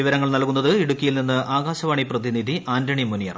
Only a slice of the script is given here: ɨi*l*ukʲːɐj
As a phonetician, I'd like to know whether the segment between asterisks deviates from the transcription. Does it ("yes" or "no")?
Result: yes